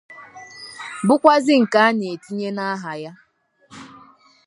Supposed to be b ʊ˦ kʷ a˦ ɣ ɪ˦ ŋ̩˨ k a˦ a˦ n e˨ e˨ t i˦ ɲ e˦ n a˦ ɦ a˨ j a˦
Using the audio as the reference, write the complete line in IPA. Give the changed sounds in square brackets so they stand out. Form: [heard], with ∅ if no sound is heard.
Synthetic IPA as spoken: b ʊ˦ kʷ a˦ [z] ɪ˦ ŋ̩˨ k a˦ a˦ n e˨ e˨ t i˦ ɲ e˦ n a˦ ɦ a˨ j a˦